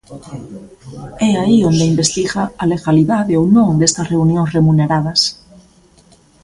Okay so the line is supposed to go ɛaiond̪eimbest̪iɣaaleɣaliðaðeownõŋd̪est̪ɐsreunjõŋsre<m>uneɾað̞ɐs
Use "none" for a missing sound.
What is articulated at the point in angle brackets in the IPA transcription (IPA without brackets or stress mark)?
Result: m